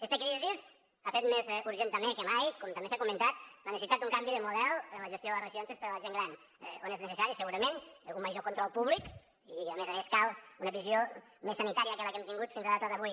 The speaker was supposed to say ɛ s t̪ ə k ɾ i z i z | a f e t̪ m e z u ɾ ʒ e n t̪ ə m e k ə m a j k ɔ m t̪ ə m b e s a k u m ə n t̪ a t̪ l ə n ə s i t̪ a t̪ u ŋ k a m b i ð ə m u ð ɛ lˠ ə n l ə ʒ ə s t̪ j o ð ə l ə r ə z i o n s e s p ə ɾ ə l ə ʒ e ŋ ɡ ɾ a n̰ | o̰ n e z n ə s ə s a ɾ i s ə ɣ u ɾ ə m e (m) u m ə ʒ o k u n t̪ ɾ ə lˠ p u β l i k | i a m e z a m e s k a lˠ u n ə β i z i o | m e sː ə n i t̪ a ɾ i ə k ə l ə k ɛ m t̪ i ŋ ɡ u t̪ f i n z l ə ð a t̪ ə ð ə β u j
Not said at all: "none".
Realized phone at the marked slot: n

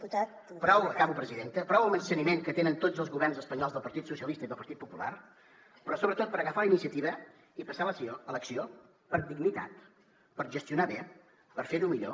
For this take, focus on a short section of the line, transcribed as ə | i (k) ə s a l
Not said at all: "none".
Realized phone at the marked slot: p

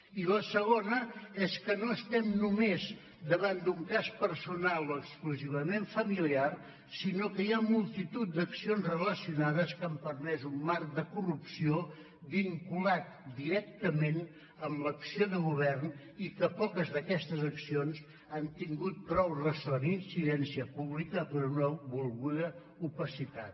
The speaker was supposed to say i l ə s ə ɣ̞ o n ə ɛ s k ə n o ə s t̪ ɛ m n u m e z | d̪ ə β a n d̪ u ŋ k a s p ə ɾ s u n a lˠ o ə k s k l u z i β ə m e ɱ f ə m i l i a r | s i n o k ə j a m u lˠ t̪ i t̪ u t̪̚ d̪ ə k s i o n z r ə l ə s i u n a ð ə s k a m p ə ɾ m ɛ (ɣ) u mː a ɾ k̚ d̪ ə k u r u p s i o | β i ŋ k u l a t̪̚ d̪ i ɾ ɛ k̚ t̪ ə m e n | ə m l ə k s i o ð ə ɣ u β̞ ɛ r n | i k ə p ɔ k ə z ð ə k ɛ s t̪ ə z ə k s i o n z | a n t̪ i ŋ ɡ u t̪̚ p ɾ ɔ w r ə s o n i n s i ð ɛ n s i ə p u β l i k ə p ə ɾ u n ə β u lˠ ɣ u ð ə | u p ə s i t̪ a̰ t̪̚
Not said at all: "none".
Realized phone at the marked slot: z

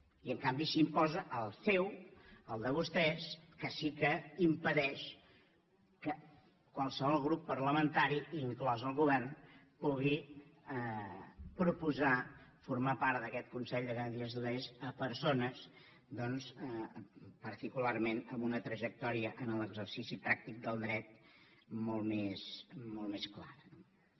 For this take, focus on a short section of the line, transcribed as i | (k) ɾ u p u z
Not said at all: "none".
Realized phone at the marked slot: p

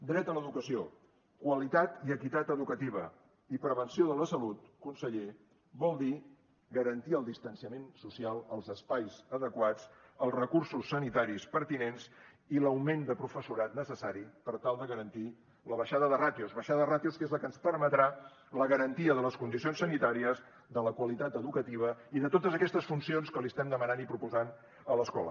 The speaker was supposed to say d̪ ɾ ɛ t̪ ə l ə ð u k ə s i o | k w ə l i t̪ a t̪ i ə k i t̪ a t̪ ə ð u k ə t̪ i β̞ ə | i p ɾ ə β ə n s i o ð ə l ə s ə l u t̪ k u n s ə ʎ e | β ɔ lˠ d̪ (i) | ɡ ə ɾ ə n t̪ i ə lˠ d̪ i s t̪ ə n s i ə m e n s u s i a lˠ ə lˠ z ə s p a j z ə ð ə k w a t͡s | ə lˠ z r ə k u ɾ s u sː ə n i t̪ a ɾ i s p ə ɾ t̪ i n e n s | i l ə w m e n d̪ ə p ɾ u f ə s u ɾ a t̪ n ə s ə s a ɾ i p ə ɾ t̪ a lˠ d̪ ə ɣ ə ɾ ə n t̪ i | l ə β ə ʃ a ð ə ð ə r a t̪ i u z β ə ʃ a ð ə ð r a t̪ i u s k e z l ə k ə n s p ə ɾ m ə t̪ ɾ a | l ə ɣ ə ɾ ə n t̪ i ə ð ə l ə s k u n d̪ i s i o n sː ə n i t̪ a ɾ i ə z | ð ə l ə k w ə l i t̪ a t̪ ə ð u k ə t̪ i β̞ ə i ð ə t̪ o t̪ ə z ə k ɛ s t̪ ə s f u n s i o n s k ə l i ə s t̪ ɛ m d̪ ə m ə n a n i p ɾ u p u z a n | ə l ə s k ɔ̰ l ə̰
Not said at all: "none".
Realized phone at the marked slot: i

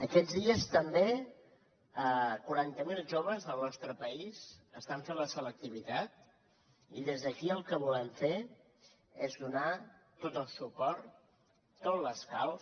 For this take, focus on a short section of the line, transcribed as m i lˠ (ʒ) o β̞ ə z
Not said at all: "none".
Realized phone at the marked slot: ʒ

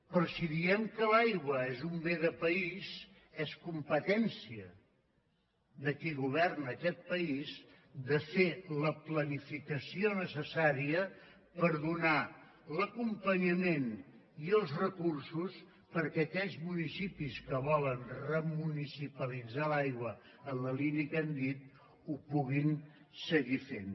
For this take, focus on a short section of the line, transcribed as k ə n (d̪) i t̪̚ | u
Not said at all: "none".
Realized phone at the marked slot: d̪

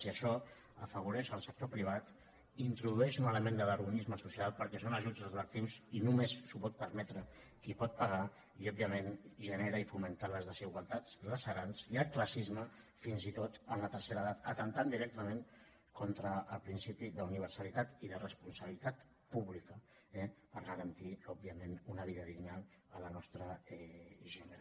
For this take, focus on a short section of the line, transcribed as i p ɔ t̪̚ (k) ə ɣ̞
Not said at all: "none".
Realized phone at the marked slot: p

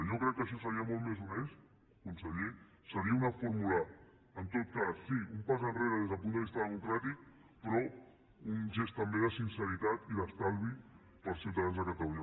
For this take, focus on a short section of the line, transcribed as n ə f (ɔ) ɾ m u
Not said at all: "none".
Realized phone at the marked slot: u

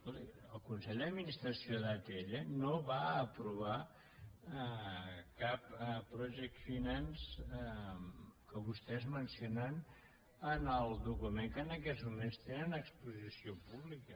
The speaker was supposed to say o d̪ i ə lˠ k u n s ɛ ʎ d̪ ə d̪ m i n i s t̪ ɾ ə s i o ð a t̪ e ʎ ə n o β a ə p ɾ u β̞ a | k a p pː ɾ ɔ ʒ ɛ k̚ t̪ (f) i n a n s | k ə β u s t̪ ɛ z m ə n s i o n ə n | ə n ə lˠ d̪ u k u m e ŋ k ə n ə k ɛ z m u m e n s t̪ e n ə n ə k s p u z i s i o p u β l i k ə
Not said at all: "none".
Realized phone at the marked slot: f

